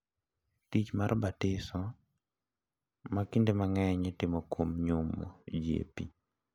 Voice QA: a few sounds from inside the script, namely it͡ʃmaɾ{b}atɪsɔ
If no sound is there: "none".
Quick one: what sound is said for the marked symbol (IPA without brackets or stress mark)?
b